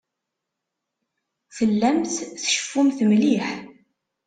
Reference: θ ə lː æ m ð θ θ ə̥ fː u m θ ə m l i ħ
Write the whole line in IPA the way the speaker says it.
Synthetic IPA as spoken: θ ə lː æ m θ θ ʃ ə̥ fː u m θ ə m l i ħ